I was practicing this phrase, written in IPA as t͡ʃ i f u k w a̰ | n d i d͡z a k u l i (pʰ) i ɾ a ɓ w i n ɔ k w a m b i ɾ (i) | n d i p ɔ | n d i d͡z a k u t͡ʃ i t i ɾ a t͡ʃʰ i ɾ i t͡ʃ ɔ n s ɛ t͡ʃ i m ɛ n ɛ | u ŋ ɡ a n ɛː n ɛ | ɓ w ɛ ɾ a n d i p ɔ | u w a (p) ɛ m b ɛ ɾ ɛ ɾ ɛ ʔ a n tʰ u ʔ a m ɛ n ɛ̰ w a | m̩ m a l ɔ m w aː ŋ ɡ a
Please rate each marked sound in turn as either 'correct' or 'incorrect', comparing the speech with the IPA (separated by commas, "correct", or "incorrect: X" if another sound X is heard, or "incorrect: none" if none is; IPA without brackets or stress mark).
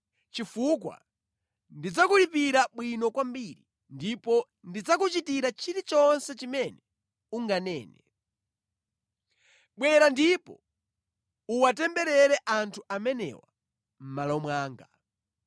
incorrect: p, correct, incorrect: t